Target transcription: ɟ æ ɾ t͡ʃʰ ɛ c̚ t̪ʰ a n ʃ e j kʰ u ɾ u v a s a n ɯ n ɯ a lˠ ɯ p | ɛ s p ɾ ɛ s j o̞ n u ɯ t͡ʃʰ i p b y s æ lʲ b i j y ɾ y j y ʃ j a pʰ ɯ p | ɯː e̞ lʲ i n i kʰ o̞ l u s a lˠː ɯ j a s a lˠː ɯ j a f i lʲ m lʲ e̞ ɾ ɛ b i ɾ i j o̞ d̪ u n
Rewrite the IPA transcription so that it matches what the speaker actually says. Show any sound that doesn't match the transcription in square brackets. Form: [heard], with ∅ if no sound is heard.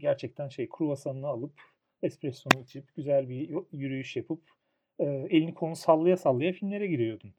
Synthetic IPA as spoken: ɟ æ ɾ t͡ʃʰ ɛ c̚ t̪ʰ [æ] n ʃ e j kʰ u ɾ u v a s a n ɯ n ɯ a lˠ ɯ p | ɛ s p ɾ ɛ s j o̞ n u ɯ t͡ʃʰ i p [ɟ] y [z] æ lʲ b i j y ɾ y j y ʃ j a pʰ ɯ p | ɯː e̞ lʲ i n i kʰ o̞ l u s a lˠː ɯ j a s a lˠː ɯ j a f i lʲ m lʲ e̞ ɾ ɛ [ɟ] i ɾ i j o̞ d̪ u n